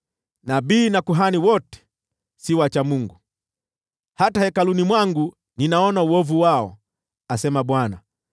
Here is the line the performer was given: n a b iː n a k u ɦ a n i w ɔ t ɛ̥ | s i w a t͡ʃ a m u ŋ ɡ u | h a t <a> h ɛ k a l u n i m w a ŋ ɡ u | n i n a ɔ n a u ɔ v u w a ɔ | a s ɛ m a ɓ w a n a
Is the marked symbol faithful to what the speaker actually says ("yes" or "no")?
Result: yes